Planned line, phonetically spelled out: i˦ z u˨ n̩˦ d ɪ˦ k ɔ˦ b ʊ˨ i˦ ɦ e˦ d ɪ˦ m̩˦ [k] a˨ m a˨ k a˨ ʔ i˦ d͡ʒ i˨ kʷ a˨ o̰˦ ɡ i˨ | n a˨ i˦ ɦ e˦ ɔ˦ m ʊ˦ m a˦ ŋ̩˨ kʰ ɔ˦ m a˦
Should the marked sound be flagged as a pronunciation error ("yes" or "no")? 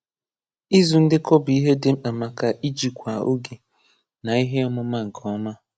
yes